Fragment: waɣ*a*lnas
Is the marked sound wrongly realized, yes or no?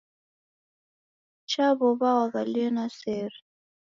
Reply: no